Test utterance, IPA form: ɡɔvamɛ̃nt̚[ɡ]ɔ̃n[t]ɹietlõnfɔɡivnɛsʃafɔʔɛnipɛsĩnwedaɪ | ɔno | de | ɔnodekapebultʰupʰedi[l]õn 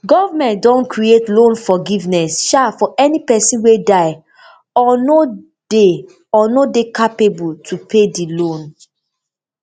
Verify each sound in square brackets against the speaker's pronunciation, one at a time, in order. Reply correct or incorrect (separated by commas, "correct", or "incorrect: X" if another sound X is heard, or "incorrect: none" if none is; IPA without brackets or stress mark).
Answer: incorrect: d, incorrect: k, correct